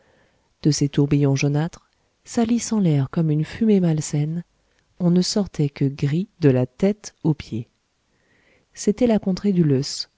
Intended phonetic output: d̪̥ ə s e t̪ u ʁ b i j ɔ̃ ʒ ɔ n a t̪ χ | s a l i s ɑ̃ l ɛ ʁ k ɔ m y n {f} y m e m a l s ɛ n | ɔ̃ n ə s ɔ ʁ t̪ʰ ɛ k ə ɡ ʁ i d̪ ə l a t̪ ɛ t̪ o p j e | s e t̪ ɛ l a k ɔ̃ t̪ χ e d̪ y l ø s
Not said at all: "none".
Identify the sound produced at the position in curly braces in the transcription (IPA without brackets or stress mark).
f